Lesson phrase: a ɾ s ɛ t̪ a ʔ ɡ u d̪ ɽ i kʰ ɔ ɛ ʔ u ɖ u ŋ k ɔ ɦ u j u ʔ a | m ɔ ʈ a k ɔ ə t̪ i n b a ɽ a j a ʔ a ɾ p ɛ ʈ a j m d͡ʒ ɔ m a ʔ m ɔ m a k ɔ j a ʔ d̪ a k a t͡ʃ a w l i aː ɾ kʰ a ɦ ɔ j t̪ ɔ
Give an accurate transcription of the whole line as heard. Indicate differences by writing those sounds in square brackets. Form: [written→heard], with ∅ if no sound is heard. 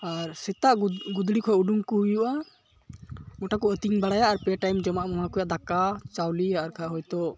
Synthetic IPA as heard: a ɾ s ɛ t̪ a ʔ ɡ u d̪ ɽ i kʰ ɔ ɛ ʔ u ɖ u ŋ k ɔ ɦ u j u ʔ a | m ɔ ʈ a k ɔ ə t̪ i [n→ŋ] b a ɽ a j a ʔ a ɾ p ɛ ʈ a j m d͡ʒ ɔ m a ʔ m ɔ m a k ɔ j a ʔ d̪ a k a t͡ʃ a w l i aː ɾ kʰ a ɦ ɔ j t̪ ɔ